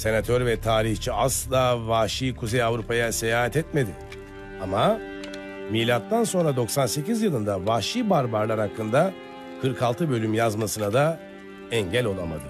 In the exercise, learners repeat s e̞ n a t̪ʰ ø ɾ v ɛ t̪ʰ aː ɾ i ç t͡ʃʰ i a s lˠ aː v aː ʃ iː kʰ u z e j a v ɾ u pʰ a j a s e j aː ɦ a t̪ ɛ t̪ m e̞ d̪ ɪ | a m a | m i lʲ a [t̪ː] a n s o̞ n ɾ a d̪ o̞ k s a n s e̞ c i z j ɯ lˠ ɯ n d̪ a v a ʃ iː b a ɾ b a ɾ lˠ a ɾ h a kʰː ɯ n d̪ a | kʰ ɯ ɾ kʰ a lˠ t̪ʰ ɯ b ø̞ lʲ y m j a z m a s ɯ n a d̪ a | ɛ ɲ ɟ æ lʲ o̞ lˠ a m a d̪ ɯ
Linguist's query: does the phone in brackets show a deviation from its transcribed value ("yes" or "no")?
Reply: no